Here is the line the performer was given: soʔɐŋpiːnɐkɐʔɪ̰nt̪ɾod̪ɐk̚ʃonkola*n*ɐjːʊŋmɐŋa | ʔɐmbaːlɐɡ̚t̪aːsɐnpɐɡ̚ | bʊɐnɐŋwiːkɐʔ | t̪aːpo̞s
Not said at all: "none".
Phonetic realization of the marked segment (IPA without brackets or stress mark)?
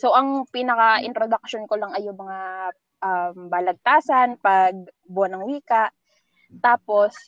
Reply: ŋ